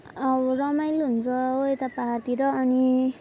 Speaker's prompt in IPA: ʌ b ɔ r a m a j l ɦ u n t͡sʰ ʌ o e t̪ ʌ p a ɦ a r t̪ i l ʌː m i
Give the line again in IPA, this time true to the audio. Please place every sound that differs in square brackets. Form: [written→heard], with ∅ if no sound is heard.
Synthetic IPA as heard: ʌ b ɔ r [a→ʌ] m a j l ɦ u n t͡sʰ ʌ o e t̪ [ʌ→a] p a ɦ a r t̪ i [l→ɾ] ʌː [m→n] i